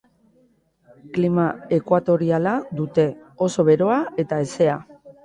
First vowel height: high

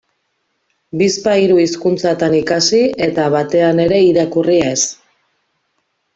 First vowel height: high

